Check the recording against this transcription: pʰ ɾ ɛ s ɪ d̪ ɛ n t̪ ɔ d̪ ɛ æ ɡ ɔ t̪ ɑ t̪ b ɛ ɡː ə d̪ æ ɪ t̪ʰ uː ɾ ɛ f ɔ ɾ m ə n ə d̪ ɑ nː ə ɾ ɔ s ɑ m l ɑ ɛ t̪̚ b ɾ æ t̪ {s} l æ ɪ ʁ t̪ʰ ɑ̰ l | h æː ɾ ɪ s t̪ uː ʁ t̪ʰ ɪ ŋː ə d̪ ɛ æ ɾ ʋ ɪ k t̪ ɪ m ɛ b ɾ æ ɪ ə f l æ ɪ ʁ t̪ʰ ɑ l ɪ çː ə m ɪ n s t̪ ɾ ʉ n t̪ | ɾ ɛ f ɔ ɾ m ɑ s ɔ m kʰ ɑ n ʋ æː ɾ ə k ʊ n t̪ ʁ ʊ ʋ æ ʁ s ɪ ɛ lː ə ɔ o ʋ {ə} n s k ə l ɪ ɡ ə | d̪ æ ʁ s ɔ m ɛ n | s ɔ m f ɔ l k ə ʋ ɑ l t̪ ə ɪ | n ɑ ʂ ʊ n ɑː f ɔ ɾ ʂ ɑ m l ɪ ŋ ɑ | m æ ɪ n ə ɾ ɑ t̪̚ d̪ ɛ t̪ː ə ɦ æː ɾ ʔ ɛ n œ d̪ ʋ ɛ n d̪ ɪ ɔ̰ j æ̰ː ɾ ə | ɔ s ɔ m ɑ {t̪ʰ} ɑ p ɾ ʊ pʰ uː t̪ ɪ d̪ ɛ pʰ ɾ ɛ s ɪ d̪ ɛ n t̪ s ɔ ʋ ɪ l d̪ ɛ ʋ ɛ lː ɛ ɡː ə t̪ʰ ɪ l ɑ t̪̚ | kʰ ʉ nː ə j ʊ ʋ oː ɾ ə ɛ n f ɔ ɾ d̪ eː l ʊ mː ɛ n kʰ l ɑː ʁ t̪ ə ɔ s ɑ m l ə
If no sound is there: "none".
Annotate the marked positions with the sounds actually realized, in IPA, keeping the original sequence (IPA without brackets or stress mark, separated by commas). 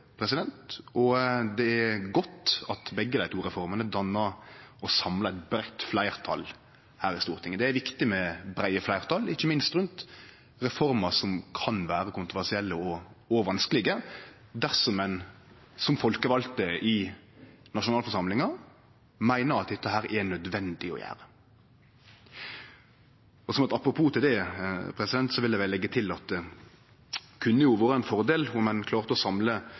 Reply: f, ɑ, t̪